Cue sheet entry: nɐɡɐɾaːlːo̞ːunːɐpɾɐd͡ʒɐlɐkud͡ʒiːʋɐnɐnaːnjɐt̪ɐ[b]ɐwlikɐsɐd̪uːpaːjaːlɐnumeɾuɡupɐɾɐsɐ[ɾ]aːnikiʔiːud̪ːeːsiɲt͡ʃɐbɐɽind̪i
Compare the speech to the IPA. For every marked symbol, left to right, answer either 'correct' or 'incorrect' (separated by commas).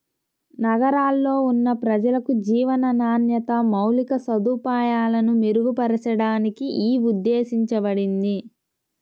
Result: incorrect, incorrect